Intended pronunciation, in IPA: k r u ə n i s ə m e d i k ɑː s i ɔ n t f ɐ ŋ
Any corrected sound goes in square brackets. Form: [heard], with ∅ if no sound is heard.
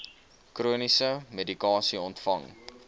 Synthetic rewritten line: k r u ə n i s ə m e d i k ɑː s i ɔ n t f ɐ ŋ